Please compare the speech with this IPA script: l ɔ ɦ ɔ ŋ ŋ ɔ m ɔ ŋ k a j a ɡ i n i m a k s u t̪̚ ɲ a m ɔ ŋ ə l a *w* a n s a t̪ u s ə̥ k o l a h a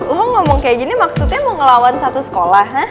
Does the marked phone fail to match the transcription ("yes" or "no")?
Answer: no